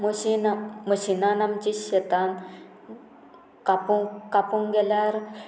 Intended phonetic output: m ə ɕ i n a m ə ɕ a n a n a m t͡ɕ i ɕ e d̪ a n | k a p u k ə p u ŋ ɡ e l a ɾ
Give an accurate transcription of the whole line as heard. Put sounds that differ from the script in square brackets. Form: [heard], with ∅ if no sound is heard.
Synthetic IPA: m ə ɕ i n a m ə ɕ [i] n a n a m t͡ɕ i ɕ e [t̪] a n | k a p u k [a] p u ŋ ɡ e l a ɾ